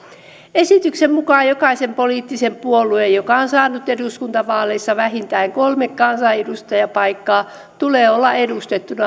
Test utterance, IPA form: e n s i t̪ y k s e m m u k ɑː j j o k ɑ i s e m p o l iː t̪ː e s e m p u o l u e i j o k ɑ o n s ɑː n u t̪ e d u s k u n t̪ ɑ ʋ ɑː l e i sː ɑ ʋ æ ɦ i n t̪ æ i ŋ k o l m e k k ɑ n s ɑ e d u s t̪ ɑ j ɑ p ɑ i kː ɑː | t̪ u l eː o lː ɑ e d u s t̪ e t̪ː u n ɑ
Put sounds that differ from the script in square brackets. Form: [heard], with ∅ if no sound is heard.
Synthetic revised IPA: e [∅] s i t̪ y k s e m m u k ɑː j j o k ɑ i s e m p o l iː t̪ː [i] s e m p u o l u e [j] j o k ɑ o n s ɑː n u t̪ e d u s k u n t̪ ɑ ʋ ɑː l e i sː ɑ ʋ æ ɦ i n t̪ æ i ŋ k o l m e k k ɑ n s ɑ e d u s t̪ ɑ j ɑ p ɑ i kː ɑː | t̪ u l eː o lː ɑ e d u s t̪ e t̪ː u n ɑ